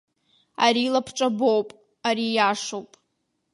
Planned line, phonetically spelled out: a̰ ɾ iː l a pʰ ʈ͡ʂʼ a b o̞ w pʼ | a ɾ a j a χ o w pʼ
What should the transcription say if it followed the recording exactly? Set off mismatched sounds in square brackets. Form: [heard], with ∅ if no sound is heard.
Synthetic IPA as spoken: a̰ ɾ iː l a pʰ ʈ͡ʂʼ a b o̞ w pʼ | a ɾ [i] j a [ʂ] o w pʼ